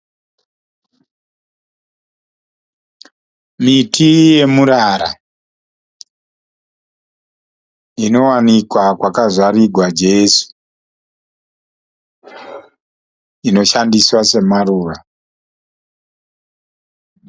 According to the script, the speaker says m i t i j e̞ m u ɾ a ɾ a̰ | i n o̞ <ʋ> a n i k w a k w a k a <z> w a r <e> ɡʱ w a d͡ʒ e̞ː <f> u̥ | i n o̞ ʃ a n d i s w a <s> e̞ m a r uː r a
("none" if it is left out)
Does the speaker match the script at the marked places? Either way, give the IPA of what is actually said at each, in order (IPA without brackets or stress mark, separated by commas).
w, z, i, s, s